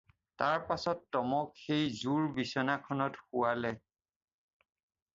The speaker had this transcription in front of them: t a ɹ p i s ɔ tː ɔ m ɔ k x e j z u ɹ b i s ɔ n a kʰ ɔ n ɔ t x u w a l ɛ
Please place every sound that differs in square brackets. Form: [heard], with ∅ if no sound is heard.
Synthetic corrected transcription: t a ɹ p [a] s ɔ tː ɔ m ɔ k x e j z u ɹ b i s ɔ n a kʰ ɔ n ɔ t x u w a l ɛ